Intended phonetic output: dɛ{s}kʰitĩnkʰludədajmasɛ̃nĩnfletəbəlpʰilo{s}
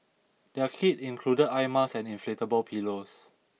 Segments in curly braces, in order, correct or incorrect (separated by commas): incorrect, correct